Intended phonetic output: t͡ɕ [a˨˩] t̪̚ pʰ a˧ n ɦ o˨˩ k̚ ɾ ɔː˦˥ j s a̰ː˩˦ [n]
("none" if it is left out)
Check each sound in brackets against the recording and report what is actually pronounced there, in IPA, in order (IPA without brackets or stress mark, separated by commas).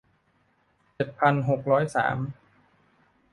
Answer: e˨˩, m